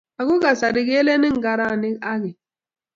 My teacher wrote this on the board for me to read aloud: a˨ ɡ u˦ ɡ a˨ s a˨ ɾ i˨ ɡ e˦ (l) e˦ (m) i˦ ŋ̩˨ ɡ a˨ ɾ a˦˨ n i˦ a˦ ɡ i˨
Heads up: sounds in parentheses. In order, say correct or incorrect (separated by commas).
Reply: correct, incorrect